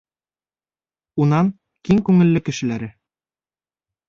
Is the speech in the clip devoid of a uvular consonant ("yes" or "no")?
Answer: yes